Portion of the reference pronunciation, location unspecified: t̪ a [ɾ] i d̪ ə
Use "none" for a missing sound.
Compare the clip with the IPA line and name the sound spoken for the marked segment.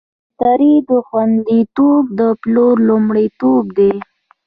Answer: ɾ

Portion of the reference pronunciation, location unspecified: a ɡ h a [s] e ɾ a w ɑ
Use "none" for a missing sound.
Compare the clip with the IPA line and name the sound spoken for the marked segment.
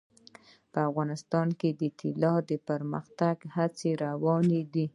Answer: t͡s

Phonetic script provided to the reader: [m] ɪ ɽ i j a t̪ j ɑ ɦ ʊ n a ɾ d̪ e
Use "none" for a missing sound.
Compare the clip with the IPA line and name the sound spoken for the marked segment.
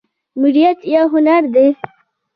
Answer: m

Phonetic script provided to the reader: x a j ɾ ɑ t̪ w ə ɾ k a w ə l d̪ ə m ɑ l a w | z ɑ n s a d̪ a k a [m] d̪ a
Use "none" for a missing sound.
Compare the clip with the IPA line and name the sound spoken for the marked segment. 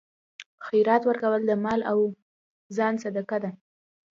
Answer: none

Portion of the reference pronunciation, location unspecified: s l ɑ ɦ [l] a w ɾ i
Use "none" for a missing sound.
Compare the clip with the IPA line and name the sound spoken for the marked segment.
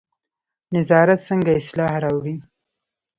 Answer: ɾ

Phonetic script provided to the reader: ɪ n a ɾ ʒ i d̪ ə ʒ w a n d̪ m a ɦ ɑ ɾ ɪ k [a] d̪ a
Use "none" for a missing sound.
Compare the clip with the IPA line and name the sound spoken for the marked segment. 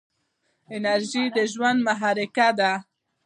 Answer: a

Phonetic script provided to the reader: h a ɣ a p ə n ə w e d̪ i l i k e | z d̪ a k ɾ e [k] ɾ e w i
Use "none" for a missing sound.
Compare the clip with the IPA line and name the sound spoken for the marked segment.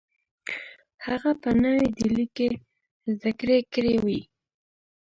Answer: k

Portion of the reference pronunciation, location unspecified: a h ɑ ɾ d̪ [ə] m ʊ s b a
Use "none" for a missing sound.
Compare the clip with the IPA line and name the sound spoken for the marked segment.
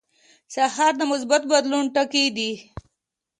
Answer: ə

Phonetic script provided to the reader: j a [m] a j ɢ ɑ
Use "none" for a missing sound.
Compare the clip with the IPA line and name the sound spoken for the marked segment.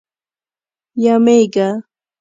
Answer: m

